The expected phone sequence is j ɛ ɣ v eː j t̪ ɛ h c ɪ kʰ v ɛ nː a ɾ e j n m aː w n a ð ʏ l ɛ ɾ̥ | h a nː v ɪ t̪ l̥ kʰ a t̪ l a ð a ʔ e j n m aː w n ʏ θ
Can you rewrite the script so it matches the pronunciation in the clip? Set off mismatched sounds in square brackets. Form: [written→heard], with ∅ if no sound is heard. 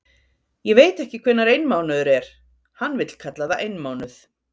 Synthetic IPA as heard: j ɛ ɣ v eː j t̪ ɛ h c ɪ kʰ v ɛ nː a ɾ e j n m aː w n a ð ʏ [l→ɾ] ɛ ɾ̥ | h a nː v ɪ t̪ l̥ kʰ a t̪ l a ð a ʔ e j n m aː w n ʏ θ